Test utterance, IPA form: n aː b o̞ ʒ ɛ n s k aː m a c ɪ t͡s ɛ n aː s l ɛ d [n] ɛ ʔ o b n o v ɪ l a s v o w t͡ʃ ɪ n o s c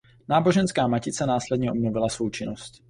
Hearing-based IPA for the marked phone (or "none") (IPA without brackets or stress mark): ɲ